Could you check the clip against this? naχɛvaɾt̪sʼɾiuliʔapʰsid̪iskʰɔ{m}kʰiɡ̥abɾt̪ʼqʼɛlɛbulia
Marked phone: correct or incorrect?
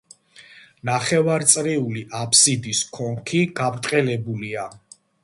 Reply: incorrect